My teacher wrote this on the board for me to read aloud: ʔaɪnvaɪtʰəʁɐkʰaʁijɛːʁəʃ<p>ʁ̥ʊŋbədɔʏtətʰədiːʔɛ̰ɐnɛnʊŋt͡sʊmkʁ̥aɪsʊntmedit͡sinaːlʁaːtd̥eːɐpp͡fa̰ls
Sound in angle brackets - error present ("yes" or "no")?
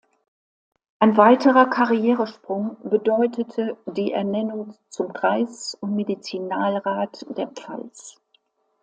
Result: no